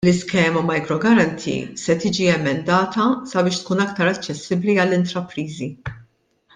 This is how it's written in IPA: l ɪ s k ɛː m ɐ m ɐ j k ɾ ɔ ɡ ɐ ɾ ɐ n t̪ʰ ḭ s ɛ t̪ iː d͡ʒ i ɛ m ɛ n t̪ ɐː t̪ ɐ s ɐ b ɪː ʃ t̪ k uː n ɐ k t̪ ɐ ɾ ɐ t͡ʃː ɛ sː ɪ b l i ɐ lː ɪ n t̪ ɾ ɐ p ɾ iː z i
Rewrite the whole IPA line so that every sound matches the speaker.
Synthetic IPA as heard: l ɪ s k ɛː m ɐ m ɐ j k ɾ ɔ ɡ ɐ ɾ ɐ n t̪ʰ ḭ s ɛ t̪ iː d͡ʒ i ɛ m ɛ n d̪ ɐː t̪ ɐ s ɐ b ɪː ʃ t̪ k uː n ɐ k t̪ ɐ ɾ ɐ t͡ʃː ɛ sː ɪ b l i ɐ lː ɪ n t̪ ɾ ɐ p ɾ iː z i